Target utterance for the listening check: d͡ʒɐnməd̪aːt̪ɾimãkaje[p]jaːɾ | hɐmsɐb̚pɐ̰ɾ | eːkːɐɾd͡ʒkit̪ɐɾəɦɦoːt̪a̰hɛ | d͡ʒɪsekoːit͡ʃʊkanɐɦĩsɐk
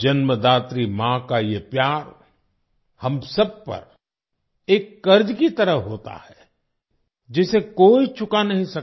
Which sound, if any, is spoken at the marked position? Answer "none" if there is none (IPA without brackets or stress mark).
p